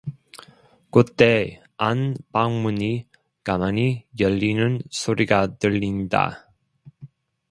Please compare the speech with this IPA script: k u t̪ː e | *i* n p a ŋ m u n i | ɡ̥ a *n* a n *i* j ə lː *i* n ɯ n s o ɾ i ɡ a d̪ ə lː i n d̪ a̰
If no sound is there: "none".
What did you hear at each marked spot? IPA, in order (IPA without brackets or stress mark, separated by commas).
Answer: a, m, i, i